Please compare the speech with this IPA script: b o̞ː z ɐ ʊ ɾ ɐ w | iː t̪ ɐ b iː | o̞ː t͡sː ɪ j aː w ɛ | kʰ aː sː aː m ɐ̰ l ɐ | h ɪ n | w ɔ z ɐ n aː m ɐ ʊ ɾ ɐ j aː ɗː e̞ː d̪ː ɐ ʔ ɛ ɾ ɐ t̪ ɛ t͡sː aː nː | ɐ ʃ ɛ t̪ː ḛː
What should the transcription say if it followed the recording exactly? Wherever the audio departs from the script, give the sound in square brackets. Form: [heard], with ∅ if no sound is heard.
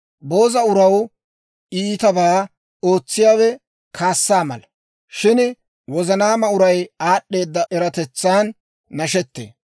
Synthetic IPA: b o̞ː z ɐ ʊ ɾ ɐ w | iː t̪ ɐ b [aː] | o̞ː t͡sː ɪ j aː w ɛ | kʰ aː sː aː m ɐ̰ l ɐ | [ʃ] ɪ n | w ɔ z ɐ n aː m ɐ ʊ ɾ ɐ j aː ɗː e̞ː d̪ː ɐ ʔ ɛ ɾ ɐ t̪ ɛ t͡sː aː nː | ɐ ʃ ɛ t̪ː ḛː